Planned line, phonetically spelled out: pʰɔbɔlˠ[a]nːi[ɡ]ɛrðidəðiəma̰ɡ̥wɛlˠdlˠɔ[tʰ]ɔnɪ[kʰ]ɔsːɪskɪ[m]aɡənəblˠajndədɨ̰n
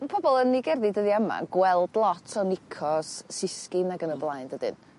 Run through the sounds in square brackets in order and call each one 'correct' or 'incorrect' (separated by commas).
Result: incorrect, correct, correct, correct, incorrect